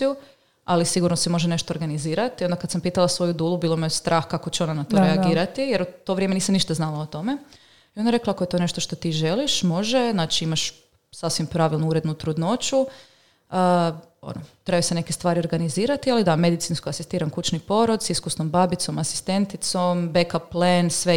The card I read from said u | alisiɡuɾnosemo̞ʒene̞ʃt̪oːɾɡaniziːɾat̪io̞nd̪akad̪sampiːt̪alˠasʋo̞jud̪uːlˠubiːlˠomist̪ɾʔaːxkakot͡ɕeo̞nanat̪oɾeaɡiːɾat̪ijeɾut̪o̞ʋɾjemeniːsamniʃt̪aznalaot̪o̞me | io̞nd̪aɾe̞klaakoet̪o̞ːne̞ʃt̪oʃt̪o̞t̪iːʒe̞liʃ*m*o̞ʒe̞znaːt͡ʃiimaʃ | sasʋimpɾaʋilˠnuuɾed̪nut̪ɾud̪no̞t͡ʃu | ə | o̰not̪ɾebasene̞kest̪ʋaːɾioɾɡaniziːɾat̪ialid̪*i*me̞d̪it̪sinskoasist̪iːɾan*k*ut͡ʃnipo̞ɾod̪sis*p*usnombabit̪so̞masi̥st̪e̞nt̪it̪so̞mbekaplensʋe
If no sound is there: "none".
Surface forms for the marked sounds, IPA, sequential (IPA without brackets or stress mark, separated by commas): m, a, k, k